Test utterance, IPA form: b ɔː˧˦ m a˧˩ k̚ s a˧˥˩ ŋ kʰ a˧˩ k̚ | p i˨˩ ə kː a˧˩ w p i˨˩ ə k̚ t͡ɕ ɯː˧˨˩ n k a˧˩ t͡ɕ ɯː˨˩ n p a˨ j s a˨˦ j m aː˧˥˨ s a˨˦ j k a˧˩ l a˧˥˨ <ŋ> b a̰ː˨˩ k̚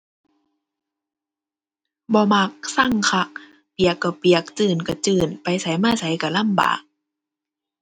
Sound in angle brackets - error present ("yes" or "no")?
yes